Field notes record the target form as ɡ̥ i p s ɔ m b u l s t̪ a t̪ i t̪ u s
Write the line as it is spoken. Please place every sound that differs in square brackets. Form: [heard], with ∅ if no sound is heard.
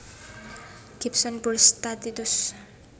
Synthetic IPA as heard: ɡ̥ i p s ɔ [n] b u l s t̪ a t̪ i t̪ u s